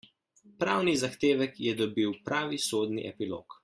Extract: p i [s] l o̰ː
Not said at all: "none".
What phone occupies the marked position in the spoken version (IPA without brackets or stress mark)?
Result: none